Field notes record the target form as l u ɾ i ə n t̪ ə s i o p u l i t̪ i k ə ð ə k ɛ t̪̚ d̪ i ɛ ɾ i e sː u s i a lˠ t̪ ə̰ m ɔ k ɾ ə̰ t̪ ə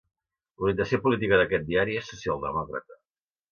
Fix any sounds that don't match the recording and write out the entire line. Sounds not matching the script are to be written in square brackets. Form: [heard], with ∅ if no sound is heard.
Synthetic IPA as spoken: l u ɾ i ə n t̪ ə s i o p u l i t̪ i k ə ð ə k ɛ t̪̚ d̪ i [a] ɾ i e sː u s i a lˠ [d̪] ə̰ m ɔ k ɾ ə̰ t̪ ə